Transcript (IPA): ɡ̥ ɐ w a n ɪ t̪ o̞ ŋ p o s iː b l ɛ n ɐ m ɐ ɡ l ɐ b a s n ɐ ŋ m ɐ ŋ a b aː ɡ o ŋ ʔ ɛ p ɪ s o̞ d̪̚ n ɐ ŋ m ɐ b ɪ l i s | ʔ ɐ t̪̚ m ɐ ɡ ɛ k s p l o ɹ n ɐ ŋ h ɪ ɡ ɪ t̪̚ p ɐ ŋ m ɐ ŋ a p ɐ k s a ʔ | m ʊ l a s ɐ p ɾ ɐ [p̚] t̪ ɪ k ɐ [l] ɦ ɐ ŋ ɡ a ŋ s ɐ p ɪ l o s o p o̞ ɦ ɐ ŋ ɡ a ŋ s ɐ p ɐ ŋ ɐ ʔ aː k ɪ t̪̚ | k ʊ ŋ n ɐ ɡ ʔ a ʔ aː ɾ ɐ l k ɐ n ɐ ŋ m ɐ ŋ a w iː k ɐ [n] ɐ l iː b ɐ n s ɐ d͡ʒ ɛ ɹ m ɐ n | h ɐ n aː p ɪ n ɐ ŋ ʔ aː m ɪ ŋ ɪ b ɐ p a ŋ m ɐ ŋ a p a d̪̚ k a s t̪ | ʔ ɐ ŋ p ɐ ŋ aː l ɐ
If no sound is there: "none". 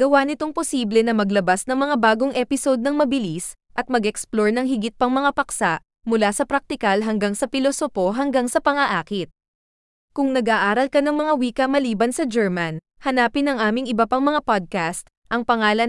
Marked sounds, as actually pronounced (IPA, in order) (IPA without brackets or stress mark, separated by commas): k̚, l, m